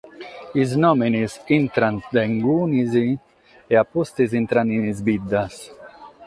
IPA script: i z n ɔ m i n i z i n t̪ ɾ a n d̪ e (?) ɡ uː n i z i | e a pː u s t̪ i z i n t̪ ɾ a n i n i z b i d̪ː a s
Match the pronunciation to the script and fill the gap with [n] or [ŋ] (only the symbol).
ŋ